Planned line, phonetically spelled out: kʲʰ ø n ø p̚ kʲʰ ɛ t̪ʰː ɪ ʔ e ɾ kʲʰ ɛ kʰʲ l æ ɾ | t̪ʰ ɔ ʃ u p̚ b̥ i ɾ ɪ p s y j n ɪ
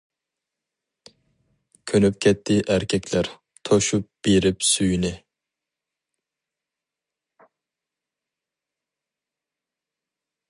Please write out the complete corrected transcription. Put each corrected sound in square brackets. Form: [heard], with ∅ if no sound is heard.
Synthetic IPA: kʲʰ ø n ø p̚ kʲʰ ɛ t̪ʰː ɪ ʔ [æ] ɾ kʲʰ ɛ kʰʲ l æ ɾ | t̪ʰ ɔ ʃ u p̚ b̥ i ɾ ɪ p s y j n ɪ